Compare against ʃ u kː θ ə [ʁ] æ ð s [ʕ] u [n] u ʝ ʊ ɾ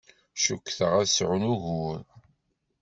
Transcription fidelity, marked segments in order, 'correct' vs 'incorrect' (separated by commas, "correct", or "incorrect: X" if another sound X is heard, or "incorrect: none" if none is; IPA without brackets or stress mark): correct, correct, correct